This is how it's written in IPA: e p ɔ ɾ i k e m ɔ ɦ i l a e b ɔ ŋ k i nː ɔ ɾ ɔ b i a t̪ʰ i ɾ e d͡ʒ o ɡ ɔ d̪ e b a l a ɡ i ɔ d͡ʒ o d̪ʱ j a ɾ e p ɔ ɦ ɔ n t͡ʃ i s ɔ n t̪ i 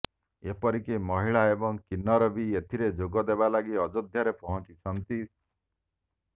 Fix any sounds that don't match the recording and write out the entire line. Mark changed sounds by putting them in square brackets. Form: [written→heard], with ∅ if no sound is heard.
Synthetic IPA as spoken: e p ɔ ɾ i k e m ɔ ɦ i [l→ɭ] a e b ɔ ŋ k i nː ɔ ɾ ɔ b i [a→e] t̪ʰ i ɾ e d͡ʒ o ɡ ɔ d̪ e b a l a ɡ i ɔ d͡ʒ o d̪ʱ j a ɾ e p ɔ ɦ ɔ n t͡ʃ i s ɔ n t̪ i